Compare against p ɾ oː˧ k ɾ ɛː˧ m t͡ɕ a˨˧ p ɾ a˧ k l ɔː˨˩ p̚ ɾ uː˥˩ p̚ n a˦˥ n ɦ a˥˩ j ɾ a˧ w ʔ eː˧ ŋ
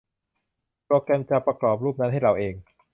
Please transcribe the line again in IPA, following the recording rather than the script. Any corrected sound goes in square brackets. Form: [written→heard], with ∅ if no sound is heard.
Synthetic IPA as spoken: p ɾ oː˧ k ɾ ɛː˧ m t͡ɕ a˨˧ p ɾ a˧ k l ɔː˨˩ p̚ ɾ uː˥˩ p̚ n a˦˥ n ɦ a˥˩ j ɾ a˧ w ʔ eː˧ ŋ